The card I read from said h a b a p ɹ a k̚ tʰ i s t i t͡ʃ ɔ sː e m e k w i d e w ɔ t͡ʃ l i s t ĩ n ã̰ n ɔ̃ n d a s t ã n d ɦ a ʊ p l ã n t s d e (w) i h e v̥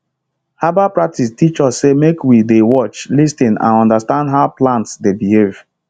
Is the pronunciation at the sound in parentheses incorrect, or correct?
incorrect